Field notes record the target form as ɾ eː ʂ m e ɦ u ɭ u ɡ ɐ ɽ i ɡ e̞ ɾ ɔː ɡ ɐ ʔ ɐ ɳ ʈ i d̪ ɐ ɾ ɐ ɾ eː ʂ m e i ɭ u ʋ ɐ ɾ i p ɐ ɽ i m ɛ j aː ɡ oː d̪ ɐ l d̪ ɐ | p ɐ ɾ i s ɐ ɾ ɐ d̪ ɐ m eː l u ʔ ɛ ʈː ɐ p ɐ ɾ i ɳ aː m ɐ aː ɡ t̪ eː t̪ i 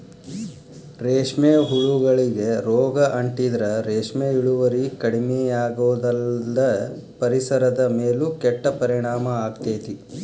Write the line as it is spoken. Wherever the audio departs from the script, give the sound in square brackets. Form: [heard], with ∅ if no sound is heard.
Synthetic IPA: ɾ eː ʂ m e ɦ u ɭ u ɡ ɐ [ɭ] i ɡ e̞ ɾ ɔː ɡ ɐ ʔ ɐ ɳ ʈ i d̪ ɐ ɾ ɐ ɾ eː ʂ m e i ɭ u ʋ ɐ ɾ i [k] ɐ ɽ i m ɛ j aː ɡ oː d̪ ɐ l d̪ ɐ | p ɐ ɾ i s ɐ ɾ ɐ d̪ ɐ m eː l u [k] ɛ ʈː ɐ p ɐ ɾ i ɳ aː m ɐ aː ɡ t̪ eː t̪ i